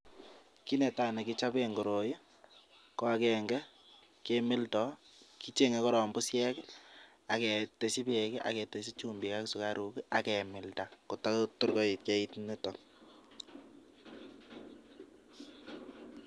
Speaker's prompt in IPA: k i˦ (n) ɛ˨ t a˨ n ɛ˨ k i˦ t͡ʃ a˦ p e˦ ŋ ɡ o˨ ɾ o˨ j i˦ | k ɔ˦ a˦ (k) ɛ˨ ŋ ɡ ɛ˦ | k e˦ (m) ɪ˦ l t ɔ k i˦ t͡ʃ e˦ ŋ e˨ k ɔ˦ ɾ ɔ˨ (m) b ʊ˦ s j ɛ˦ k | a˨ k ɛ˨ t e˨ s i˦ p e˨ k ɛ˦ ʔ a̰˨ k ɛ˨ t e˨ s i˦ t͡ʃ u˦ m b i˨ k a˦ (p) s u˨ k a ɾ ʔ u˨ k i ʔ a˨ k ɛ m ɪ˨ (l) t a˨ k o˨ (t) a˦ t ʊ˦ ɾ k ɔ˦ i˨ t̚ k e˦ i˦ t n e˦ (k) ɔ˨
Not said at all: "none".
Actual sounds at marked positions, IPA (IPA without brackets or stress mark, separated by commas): n, k, m, m, k, l, t, t